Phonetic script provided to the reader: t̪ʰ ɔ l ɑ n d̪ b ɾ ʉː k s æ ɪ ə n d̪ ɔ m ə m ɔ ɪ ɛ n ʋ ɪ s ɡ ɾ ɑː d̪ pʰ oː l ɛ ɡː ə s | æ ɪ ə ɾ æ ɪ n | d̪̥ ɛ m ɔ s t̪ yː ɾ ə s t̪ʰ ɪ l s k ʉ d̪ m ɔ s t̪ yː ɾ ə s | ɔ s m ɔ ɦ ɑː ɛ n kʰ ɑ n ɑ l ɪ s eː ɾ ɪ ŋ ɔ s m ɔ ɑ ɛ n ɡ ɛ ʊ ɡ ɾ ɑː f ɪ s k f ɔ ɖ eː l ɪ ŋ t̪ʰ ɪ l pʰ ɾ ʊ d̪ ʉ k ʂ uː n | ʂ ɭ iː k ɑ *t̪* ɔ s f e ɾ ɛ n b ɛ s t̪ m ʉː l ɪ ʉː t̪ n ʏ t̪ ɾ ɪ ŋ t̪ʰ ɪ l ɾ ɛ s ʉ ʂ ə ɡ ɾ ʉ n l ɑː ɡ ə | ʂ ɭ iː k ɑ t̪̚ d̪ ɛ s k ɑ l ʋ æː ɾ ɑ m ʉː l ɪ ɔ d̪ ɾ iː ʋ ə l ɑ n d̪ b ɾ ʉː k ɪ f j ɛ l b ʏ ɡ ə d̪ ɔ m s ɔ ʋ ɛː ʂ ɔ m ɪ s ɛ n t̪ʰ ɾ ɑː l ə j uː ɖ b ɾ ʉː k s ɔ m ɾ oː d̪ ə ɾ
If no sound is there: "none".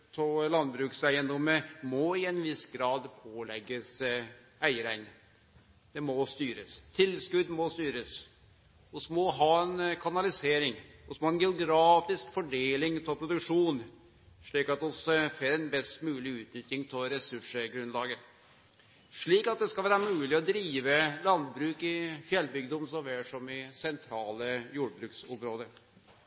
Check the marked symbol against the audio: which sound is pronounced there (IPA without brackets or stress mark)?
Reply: t̪